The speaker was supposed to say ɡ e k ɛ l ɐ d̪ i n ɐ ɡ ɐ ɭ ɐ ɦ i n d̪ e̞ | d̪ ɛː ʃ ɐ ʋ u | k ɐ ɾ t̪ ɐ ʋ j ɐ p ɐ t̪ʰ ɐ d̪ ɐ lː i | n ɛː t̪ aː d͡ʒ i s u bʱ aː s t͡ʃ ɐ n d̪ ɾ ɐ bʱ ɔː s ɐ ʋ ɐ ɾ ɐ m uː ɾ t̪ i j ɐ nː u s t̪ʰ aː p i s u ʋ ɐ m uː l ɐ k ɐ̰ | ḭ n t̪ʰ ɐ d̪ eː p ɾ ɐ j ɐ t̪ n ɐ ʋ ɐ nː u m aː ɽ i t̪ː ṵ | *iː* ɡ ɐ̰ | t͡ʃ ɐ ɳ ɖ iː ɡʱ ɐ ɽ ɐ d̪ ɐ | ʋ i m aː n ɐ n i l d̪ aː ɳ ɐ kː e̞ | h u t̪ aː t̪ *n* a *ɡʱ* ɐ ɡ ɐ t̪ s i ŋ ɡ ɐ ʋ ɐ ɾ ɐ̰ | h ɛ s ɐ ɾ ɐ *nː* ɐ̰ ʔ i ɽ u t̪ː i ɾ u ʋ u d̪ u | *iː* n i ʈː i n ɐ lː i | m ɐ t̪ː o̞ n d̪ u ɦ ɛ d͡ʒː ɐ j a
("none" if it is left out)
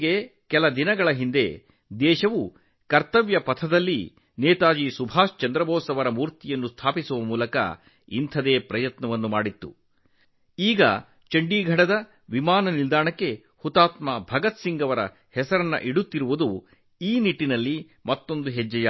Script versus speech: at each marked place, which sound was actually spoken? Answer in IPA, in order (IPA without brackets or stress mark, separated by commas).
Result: iː, m, bʱ, nː, iː